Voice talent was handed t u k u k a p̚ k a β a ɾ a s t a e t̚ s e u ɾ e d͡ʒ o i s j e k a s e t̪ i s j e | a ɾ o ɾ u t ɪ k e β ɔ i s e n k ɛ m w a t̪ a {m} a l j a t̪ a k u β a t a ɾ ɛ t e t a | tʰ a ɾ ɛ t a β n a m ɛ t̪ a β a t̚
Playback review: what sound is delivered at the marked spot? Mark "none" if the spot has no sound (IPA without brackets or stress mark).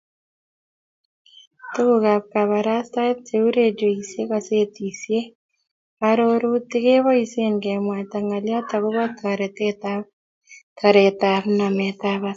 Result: ŋ